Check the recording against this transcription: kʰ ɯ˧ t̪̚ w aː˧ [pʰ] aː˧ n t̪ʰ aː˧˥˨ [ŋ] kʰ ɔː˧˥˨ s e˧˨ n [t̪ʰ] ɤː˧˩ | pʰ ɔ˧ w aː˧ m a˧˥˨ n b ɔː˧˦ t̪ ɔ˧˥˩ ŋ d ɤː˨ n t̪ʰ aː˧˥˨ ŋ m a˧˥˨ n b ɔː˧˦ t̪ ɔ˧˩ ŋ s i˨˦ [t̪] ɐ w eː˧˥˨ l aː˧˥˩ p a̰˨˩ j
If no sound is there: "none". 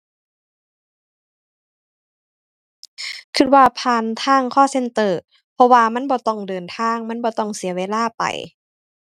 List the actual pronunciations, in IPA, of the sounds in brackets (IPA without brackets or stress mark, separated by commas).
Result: pʰ, ŋ, t̪, none